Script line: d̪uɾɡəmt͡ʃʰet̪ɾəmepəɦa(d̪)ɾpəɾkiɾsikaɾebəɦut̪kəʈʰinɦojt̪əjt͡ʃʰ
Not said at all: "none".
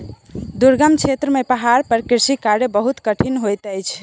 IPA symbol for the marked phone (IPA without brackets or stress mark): none